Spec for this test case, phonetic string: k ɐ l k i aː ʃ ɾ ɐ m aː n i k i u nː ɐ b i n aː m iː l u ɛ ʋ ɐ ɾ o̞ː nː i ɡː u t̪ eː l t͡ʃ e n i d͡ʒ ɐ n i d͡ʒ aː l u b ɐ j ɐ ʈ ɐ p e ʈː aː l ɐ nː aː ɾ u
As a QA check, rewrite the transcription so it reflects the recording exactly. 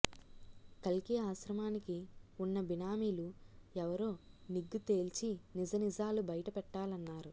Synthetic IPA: k ɐ l k i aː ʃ ɾ ɐ m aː n i k i u nː ɐ b i n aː m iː l u ɛ ʋ ɐ ɾ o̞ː n i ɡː u t̪ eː l t͡ʃ i n i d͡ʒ ɐ n i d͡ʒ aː l u b ɐ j ɐ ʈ ɐ p ɛ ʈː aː l ɐ nː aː ɾ u